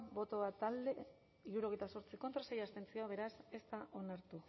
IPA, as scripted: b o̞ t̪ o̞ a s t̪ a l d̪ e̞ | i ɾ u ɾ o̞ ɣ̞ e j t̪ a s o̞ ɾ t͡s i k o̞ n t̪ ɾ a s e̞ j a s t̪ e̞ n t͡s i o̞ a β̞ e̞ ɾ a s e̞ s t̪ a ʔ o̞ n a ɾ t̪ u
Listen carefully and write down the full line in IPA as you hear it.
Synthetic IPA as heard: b o̞ t̪ o̞ a t̪ a l d̪ e̞ | i ɾ u ɾ o̞ ɣ̞ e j t̪ a s o̞ ɾ t͡s i k o̞ n t̪ ɾ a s e̞ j a s t̪ e̞ n t͡s i o̞ a β̞ e̞ ɾ a s e̞ s t̪ a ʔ o̞ n a ɾ t̪ u

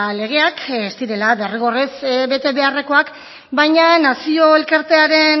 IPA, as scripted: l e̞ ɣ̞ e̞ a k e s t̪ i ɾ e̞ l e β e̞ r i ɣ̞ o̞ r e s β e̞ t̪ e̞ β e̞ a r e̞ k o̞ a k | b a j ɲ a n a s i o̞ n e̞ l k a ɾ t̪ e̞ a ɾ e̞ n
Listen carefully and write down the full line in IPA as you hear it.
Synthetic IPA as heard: l e̞ ɣ̞ e̞ a k e s t̪ i ɾ e̞ l a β e̞ r i ɣ̞ o̞ r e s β e̞ t̪ e̞ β e̞ a r e̞ k o̞ a k | b a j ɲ a n a s i o̞ e̞ l k a ɾ t̪ e̞ a ɾ e̞ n

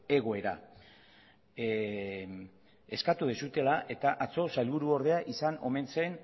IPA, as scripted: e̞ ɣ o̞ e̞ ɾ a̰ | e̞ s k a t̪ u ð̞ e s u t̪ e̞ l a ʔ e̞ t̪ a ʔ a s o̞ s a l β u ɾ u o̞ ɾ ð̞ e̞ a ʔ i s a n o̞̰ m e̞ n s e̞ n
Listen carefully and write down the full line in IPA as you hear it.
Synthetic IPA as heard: e̞ ɣ o̞ e̞ ɾ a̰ | e̞ s k a t̪ u ð̞ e s u t̪ e̞ l a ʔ e̞ t̪ a ʔ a t͡s o̞ s a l β u ɾ u o̞ ɾ ð̞ e̞ a ʔ i s a n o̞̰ m e̞ n s e̞ n

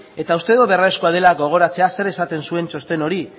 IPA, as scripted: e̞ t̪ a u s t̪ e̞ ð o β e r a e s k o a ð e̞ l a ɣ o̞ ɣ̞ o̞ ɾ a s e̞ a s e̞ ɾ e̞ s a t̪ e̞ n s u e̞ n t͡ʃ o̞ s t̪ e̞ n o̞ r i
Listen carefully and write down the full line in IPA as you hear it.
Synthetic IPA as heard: e̞ t̪ a u s t̪ e̞ ð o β e r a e s k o a ð e̞ l a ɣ o̞ ɣ̞ o̞ ɾ a t͡s e̞ a s e̞ ɾ e̞ s a t̪ e̞ n s u e̞ n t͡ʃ o̞ s t̪ e̞ n o̞ ɾ i

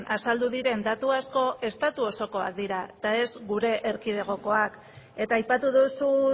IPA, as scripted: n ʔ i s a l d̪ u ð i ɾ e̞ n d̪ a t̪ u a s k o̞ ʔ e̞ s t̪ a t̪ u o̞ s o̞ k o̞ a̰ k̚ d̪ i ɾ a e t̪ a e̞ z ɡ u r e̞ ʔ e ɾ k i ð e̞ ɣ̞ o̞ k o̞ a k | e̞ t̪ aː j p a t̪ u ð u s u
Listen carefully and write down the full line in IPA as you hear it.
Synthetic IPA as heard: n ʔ a s a l d̪ u ð i ɾ e̞ n d̪ a t̪ u a s k o̞ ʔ e̞ s t̪ a t̪ u o̞ s o̞ k o̞ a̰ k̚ d̪ i ɾ a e t̪ a e̞ z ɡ u ɾ e̞ ʔ e ɾ k i ð e̞ ɣ̞ o̞ k o̞ a k | e̞ t̪ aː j p a t̪ u ð u s u

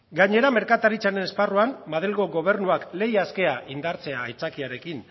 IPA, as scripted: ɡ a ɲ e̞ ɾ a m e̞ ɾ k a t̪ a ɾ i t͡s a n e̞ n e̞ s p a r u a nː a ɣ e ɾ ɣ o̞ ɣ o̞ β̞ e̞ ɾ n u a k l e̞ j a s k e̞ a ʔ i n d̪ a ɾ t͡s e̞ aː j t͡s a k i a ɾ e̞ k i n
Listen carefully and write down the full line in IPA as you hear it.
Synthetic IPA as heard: ɡ a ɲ e̞ ɾ a m e̞ ɾ k a t̪ a ɾ i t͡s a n e̞ n e̞ s p a r u a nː a ð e l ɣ o̞ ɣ o̞ β̞ e̞ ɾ n u a k l e̞ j a s k e̞ a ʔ i n d̪ a ɾ t͡s e̞ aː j t͡s a k i a ɾ e̞ k i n

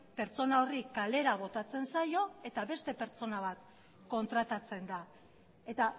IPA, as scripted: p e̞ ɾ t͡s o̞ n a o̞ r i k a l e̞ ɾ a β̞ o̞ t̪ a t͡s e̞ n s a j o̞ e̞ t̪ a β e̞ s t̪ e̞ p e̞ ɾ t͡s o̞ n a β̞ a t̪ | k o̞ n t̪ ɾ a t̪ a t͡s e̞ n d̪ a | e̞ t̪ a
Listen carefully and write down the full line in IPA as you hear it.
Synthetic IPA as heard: p e̞ ɾ t͡s o̞ n a o̞ r i k a l e̞ ɾ a β̞ o̞ t̪ a t͡s e̞ n s a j o̞ e̞ t̪ a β e̞ s t̪ e̞ p e̞ ɾ t͡s o̞ n a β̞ a t̪ | k o̞ n t̪ ɾ a t̪ a t͡s e̞ n d̪ a | e̞ t̪ a

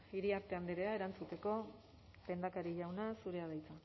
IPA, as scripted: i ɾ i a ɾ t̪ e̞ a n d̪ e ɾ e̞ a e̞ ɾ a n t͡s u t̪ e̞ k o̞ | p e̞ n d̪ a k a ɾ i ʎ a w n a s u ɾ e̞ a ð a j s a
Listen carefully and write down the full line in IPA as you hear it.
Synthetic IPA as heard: i ɾ i a ɾ t̪ e̞ a n d̪ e ɾ e̞ a e̞ ɾ a n t͡s u t̪ e̞ k o̞ | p e̞ n d̪ a k a ɾ i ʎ a w n a s u ɾ e̞ a ð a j t͡s a

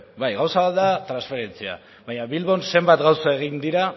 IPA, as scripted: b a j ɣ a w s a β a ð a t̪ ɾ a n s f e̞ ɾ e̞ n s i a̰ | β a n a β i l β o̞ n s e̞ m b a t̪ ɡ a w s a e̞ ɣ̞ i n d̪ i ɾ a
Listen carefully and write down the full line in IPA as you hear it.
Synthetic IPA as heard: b a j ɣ a w s a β a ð a t̪ ɾ a n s f e̞ ɾ e̞ n t͡s i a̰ | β a ɲ a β i l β o̞ n s e̞ m b a t̪ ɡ a w s a e̞ ɣ̞ i n d̪ i ɾ a

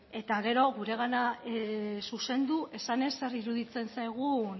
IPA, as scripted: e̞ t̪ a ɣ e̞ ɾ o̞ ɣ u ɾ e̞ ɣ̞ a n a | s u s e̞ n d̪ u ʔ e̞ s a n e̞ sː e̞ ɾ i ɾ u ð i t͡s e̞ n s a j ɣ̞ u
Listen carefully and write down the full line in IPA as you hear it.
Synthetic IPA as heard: e̞ t̪ a ɣ e̞ ɾ o̞ ɣ u ɾ e̞ ɣ̞ a n a | s u s e̞ n d̪ u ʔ e̞ s a n e̞ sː e̞ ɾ i ɾ u ð i t͡s e̞ n s a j ɣ̞ u

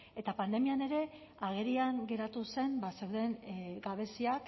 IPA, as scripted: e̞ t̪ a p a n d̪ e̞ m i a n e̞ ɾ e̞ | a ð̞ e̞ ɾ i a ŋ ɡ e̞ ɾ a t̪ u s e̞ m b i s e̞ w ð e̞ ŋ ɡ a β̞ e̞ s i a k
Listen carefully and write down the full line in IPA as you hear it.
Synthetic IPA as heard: e̞ t̪ a p a n d̪ e̞ m i a n e̞ ɾ e̞ | a ɣ̞ e̞ ɾ i a ŋ ɡ e̞ ɾ a t̪ u s e̞ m b a s e̞ w ð e̞ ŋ ɡ a β̞ e̞ s i a k

